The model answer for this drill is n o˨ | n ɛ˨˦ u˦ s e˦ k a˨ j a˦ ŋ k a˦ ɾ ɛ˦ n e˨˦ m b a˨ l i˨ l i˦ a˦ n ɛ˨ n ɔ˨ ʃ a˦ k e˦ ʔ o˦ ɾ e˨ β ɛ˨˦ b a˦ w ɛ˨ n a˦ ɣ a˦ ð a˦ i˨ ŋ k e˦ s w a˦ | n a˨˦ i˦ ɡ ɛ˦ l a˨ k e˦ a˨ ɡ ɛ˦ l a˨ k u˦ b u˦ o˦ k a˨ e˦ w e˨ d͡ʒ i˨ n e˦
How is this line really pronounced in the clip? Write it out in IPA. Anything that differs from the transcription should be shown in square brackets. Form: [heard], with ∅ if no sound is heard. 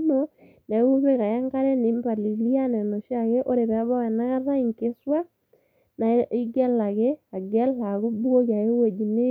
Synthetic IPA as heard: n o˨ | n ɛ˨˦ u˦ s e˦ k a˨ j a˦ ŋ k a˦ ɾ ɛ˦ n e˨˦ m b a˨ l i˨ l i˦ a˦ n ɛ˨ n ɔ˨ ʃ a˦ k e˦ ʔ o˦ ɾ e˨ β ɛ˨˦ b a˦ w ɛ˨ n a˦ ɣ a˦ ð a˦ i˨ ŋ k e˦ s w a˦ | n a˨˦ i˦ ɡ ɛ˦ l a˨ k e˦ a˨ ɡ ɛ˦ l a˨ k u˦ b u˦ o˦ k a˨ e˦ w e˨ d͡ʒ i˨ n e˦

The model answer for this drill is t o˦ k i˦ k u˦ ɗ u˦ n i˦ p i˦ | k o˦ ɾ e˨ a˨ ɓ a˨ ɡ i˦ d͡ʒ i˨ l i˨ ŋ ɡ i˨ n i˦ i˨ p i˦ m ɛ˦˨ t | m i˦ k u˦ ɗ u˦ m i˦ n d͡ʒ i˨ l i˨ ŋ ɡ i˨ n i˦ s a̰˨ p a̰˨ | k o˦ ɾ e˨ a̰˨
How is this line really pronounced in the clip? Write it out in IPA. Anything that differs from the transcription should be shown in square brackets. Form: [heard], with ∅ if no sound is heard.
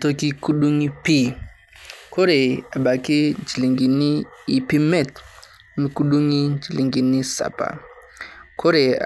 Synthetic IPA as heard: t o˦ k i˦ k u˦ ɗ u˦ [ŋ] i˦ p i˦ | k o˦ ɾ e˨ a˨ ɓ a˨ [k] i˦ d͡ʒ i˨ l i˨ ŋ ɡ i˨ n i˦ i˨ p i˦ m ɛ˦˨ t | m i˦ k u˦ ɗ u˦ [ŋ] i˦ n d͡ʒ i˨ l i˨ ŋ ɡ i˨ n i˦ s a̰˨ p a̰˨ | k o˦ ɾ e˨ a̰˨

